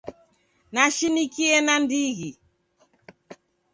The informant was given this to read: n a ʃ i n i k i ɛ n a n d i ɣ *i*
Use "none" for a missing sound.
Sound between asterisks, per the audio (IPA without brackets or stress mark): i